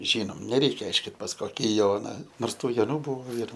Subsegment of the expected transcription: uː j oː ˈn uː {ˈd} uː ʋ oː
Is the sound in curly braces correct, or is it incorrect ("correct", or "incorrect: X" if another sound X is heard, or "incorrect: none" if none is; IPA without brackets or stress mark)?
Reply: incorrect: b